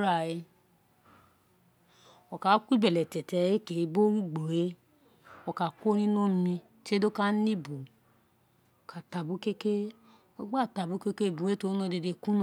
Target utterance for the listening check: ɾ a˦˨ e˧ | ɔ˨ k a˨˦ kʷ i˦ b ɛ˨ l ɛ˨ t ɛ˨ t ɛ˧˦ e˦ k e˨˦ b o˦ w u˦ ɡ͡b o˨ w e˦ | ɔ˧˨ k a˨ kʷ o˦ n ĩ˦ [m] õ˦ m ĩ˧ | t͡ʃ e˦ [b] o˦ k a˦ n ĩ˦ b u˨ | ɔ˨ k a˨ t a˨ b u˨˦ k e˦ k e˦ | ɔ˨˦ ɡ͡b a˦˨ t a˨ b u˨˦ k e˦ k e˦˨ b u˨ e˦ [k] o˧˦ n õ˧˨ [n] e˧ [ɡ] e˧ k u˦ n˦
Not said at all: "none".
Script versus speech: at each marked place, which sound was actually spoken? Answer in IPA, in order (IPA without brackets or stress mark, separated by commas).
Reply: n, d, t, d, d